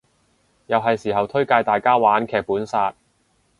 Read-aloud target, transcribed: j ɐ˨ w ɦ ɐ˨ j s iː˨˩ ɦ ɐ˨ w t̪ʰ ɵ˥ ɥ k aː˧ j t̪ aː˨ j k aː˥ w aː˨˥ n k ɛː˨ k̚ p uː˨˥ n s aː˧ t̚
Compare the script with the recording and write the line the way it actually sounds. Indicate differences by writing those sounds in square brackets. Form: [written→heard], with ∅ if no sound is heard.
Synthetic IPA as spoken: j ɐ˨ w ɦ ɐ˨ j s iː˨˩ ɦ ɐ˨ w t̪ʰ ɵ˥ ɥ k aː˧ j t̪ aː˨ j k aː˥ w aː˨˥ n [k→kʰ] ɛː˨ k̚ p uː˨˥ n s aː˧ t̚